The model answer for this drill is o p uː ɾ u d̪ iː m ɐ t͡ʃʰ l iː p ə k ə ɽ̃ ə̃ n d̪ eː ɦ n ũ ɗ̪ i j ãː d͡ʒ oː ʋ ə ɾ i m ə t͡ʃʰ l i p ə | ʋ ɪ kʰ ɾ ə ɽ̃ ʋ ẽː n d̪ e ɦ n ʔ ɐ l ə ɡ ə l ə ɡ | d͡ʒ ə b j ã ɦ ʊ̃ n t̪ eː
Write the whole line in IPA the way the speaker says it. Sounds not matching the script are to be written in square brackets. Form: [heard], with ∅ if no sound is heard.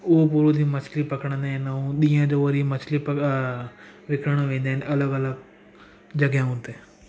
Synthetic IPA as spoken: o p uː ɾ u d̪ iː m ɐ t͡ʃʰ l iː p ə k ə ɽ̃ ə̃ n d̪ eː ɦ n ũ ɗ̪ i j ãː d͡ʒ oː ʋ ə ɾ i m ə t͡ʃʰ l i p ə | ʋ ɪ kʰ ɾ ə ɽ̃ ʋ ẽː n d̪ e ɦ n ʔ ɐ l ə ɡ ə l ə ɡ | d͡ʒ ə [ɡ] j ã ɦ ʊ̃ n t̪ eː

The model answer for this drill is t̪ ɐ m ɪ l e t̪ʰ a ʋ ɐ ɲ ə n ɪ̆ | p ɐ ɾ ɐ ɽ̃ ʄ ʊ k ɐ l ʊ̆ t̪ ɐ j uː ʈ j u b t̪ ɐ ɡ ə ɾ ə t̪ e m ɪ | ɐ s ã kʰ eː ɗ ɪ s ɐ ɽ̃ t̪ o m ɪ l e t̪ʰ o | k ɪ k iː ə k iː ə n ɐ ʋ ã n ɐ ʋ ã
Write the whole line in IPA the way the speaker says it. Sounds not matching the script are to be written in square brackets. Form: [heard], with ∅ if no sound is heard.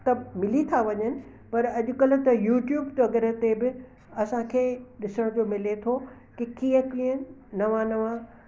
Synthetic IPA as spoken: t̪ ɐ m ɪ l [i] t̪ʰ a ʋ ɐ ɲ ə n ɪ̆ | p ɐ ɾ ɐ [∅] ʄ ʊ k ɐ l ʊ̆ t̪ ɐ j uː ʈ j [uː] b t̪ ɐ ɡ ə ɾ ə t̪ e [b] ɪ | ɐ s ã kʰ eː ɗ ɪ s [ə] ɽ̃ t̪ o m ɪ l e t̪ʰ o | k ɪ k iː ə k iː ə n ɐ ʋ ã n ɐ ʋ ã

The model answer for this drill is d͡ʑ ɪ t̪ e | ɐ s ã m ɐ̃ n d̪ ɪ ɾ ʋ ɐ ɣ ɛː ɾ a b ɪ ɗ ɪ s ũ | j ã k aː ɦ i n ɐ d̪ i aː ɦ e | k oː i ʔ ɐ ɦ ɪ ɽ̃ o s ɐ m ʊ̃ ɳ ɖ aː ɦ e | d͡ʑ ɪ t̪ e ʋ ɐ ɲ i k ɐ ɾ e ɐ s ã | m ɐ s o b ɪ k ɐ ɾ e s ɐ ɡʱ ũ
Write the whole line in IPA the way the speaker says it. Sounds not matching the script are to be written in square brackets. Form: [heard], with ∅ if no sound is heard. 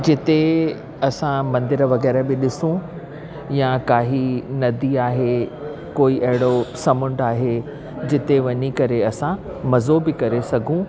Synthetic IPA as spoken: d͡ʑ ɪ t̪ e | ɐ s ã m ɐ̃ n d̪ ɪ ɾ ʋ ɐ ɣ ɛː ɾ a b ɪ ɗ ɪ s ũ | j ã k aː ɦ i n ɐ d̪ i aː ɦ e | k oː i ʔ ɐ ɦ ɪ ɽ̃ o s ɐ m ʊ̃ ɳ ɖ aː ɦ e | d͡ʑ ɪ t̪ e ʋ ɐ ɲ i k ɐ ɾ e ɐ s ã | m ɐ [z] o b ɪ k ɐ ɾ e s ɐ ɡʱ ũ

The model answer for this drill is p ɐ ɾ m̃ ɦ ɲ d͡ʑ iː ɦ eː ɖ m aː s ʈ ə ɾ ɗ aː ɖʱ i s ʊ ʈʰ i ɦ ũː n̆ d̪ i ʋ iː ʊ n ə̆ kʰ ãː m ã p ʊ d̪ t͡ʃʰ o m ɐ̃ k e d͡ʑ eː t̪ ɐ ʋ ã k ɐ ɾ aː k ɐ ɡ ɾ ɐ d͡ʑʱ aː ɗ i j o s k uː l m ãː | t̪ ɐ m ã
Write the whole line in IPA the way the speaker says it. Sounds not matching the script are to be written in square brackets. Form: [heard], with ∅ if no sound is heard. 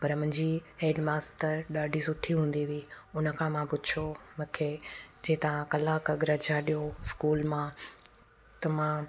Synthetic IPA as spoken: p ɐ ɾ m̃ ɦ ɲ d͡ʑ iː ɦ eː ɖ m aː s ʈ ə ɾ ɗ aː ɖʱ i s ʊ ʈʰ i ɦ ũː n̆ d̪ i ʋ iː ʊ n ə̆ kʰ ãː m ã p ʊ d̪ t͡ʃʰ o m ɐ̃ [kʰ] e d͡ʑ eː t̪ ɐ ʋ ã k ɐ [l] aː k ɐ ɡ ɾ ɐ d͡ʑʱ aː ɗ i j o s k uː l m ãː | t̪ ɐ m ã

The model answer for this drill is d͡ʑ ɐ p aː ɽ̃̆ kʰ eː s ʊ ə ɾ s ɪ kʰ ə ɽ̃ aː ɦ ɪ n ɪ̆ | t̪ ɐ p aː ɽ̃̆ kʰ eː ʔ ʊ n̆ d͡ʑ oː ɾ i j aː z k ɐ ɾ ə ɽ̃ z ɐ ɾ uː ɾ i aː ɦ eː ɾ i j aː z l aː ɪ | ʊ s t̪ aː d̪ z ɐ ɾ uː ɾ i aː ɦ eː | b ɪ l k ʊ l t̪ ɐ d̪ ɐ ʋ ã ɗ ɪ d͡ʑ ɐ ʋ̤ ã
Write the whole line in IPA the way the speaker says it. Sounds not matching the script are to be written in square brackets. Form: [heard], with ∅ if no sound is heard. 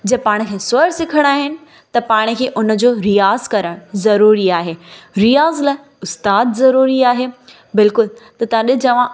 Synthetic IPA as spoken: d͡ʑ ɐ p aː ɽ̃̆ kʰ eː s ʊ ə ɾ s ɪ kʰ ə ɽ̃ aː ɦ ɪ n ɪ̆ | t̪ ɐ p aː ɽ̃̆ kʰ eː ʔ ʊ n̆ d͡ʑ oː ɾ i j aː z k ɐ ɾ ə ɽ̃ z ɐ ɾ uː ɾ i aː ɦ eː ɾ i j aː z l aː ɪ | ʊ s t̪ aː d̪ z ɐ ɾ uː ɾ i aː ɦ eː | b ɪ l k ʊ l t̪ ɐ [t̪] ɐ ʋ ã ɗ ɪ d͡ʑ ɐ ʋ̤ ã

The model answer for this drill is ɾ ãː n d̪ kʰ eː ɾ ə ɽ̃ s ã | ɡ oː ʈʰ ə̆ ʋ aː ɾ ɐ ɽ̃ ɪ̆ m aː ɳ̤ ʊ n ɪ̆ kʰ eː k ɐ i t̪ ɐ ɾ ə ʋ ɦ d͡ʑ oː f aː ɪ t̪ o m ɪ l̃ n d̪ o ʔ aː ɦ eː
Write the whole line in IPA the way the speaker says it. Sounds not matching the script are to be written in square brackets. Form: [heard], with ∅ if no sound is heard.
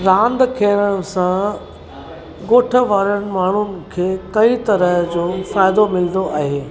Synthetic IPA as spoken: ɾ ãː n d̪ kʰ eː ɾ ə ɽ̃ s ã | ɡ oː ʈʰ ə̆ ʋ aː ɾ [ə] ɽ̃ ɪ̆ m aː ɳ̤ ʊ n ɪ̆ kʰ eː k ɐ i t̪ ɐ ɾ ə [∅] ɦ d͡ʑ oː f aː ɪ [d̪] o m ɪ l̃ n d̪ o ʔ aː ɦ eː

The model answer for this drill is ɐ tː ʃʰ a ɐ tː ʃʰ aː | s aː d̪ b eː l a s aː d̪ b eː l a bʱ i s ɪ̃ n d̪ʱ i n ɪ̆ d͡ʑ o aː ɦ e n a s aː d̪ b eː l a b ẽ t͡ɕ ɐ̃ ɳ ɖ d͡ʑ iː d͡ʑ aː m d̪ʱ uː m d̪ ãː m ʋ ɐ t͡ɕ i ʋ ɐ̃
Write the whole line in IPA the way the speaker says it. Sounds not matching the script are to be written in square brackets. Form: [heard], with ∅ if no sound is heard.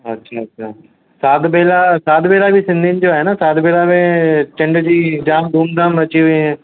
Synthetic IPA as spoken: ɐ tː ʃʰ a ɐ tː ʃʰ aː | s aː d̪ b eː l a s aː d̪ b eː l a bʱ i s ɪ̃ n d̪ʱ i n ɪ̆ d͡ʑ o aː ɦ e n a s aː d̪ b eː l a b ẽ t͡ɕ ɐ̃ ɳ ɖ d͡ʑ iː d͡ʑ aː m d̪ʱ uː m d̪ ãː m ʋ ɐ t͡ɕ i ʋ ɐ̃

